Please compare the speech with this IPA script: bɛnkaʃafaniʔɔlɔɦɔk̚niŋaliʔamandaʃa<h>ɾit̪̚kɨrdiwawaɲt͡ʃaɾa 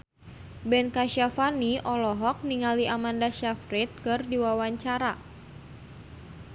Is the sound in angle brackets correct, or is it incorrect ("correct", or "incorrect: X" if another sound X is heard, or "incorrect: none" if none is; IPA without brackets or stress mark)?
incorrect: f